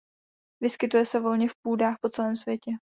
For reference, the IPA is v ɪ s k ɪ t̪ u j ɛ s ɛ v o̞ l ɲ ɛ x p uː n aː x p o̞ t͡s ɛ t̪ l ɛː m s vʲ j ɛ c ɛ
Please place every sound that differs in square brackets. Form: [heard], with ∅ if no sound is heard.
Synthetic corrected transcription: v ɪ s k ɪ t̪ u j ɛ s ɛ v o̞ l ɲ ɛ [f] p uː [d] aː x p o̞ t͡s ɛ [∅] l ɛː m s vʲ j ɛ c ɛ